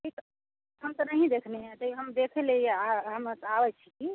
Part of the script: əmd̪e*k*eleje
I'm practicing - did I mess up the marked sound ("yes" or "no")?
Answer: yes